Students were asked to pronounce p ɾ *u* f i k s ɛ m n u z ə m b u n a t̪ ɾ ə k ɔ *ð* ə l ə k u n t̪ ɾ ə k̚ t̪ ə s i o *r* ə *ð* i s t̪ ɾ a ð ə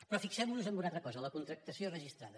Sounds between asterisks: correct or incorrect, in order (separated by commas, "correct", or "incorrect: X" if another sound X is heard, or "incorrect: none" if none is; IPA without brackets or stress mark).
incorrect: ɔ, incorrect: z, correct, incorrect: ʒ